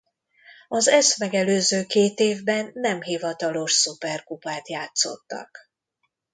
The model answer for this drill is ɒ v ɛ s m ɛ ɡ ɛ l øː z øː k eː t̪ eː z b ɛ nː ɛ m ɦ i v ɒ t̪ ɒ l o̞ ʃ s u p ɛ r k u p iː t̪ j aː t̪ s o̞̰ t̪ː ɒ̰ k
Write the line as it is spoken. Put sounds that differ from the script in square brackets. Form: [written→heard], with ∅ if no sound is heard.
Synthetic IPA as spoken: ɒ [v→z] ɛ s m ɛ ɡ ɛ l øː z øː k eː t̪ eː [z→v] b ɛ nː ɛ m ɦ i v ɒ t̪ ɒ l o̞ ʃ s u p ɛ r k u p [iː→aː] t̪ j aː t̪ s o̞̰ t̪ː ɒ̰ k